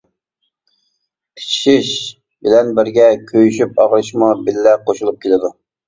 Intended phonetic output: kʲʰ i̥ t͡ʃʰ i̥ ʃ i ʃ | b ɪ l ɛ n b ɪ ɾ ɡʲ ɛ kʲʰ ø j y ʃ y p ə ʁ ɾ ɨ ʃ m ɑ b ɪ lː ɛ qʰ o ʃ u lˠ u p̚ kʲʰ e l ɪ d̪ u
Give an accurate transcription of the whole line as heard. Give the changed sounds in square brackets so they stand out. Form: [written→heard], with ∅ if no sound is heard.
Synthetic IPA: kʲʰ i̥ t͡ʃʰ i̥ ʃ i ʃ | b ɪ l ɛ n b ɪ ɾ ɡʲ ɛ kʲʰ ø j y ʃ y p [ə→ɑ] ʁ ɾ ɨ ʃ m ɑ b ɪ lː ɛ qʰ o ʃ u lˠ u p̚ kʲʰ e l ɪ d̪ u